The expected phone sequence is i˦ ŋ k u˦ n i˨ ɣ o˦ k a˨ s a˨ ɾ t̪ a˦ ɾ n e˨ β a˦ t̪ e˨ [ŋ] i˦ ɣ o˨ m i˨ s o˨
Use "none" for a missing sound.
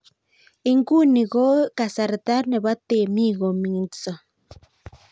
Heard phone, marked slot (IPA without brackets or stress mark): m